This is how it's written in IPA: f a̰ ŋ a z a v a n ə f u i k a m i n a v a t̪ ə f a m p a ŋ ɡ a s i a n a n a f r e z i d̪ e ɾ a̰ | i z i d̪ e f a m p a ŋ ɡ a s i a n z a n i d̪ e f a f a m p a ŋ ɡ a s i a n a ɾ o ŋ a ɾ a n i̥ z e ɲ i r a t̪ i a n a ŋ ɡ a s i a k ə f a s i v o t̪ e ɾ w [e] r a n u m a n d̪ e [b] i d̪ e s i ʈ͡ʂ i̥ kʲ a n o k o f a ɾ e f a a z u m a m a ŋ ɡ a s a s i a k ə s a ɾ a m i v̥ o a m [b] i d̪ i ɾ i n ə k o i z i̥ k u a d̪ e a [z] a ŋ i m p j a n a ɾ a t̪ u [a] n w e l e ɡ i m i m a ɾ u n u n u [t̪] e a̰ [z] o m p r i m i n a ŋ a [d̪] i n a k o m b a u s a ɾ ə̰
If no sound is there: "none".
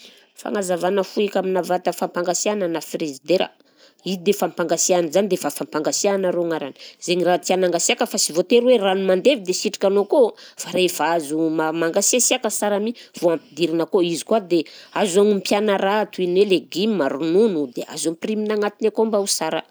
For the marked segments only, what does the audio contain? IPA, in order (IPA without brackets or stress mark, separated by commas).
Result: e, v, p, z, i, d̪, z, t̪